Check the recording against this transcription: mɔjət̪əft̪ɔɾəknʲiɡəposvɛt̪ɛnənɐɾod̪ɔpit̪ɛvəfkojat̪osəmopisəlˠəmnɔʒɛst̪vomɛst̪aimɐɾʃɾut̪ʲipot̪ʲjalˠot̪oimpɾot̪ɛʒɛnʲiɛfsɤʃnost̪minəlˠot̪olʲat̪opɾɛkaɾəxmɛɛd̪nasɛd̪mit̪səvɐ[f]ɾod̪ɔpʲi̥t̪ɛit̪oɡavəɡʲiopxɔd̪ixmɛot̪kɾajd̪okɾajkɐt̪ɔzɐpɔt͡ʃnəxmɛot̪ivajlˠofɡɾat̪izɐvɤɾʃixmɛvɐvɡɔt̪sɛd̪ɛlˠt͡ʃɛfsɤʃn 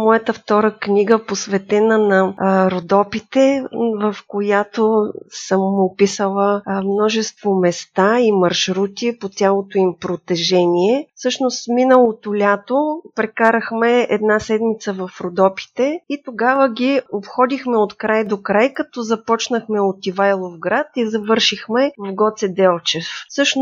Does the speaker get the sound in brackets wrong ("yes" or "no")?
no